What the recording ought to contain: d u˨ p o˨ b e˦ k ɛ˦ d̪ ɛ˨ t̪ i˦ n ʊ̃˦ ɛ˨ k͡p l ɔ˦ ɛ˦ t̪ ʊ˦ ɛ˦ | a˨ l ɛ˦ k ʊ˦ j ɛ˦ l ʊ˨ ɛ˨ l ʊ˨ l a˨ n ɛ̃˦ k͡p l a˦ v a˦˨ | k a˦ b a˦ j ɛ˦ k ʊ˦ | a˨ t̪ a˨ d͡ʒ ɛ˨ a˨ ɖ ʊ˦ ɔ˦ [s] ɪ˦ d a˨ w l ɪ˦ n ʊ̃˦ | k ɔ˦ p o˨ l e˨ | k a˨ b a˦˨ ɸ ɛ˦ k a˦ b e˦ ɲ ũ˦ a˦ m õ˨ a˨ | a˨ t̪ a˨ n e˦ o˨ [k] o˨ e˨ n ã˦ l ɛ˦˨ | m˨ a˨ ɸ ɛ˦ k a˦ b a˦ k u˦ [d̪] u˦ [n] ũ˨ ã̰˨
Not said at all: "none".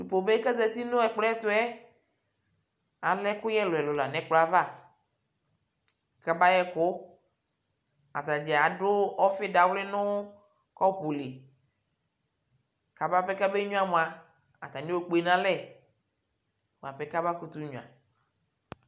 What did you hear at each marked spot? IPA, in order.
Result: f, k͡p, t̪, ɲ

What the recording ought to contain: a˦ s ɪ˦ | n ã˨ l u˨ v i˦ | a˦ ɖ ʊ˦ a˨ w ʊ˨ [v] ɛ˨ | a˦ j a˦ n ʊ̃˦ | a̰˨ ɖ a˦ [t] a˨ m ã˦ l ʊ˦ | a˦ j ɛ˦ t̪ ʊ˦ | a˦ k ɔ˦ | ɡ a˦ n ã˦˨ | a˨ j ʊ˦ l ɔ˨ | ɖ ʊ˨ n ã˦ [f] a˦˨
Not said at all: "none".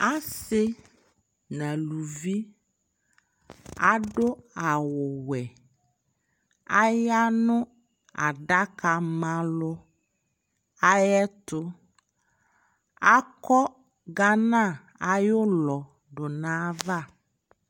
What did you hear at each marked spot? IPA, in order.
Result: w, k, v

